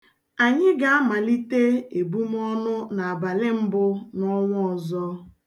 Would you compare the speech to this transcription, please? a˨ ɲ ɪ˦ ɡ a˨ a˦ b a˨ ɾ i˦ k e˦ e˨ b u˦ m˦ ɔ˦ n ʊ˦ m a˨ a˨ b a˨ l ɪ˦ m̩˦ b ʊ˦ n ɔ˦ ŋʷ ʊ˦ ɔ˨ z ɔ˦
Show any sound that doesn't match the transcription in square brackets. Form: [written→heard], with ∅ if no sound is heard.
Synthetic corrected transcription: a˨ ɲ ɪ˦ ɡ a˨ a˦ [b→m] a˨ [ɾ→l] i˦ [k→t] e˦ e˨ b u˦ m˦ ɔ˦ n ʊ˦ [m→n] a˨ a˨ b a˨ l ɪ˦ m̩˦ b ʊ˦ n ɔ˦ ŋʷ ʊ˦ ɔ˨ z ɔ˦